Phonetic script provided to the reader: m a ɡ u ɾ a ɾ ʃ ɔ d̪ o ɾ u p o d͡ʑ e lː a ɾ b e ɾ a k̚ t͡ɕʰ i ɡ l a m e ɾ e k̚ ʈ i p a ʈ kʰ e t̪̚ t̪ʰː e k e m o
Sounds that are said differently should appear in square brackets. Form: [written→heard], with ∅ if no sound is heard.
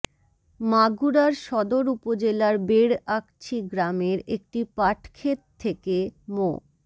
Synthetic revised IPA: m a ɡ u ɾ a ɾ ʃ ɔ d̪ o ɾ u p o d͡ʑ e [lː→l] a ɾ b e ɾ a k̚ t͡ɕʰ i ɡ [l→ɾ] a m e ɾ e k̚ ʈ i p a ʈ kʰ e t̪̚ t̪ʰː e k e m o

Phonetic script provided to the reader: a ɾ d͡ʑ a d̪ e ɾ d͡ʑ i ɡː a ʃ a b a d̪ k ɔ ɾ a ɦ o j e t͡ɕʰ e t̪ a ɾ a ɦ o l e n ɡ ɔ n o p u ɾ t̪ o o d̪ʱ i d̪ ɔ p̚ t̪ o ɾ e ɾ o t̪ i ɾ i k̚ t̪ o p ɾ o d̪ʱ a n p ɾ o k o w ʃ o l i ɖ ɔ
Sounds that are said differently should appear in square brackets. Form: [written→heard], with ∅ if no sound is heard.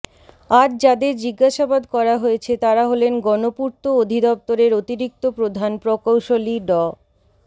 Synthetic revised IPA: a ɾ d͡ʑ a d̪ e ɾ d͡ʑ i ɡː a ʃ a b a d̪ k ɔ ɾ a ɦ o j e t͡ɕʰ e t̪ a ɾ a ɦ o l e n ɡ ɔ n o p u ɾ t̪ o o d̪ʱ i d̪ ɔ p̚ t̪ o ɾ e ɾ o t̪ i ɾ i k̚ t̪ o p ɾ o d̪ʱ a n p ɾ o k o w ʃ o l i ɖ ɔ

